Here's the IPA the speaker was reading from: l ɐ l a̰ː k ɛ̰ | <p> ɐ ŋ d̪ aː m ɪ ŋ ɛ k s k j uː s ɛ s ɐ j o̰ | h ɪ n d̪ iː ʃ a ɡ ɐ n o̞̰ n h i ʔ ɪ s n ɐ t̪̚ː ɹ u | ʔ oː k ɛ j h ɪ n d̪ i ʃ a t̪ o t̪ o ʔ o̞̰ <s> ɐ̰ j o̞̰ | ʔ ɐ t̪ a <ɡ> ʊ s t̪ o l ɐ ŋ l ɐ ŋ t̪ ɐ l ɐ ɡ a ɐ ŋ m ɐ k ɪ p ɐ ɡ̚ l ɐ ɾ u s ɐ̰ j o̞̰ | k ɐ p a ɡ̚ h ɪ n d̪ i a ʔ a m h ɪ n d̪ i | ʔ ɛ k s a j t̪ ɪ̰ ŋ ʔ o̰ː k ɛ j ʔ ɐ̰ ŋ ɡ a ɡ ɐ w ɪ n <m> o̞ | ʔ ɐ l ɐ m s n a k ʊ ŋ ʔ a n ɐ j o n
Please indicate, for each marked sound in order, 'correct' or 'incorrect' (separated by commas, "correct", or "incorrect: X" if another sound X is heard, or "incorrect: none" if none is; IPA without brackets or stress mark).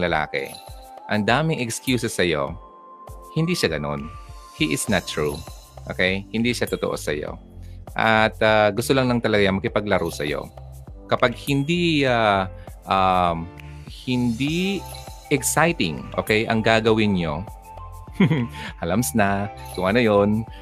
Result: incorrect: ʔ, correct, correct, incorrect: ɲ